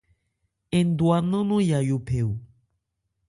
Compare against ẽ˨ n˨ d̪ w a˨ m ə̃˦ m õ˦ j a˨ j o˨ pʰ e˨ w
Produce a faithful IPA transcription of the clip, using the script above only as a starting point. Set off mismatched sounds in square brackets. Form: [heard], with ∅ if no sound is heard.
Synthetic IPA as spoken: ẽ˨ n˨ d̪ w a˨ [n] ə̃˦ [n] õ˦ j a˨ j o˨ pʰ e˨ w